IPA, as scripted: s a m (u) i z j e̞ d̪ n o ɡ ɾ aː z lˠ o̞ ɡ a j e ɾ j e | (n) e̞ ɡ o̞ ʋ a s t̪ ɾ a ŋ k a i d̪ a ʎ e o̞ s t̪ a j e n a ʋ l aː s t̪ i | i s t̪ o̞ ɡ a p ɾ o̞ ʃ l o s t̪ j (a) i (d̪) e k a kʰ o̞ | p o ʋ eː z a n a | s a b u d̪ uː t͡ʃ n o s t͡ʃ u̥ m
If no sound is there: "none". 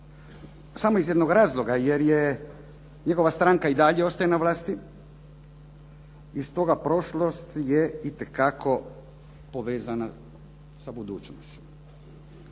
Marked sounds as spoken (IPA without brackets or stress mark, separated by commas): o, ɲ, e, t̪